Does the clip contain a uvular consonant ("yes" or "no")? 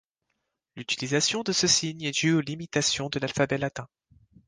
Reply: no